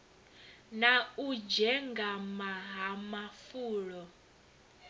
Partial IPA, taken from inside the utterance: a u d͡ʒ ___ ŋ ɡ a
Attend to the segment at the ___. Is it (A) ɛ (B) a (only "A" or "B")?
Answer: A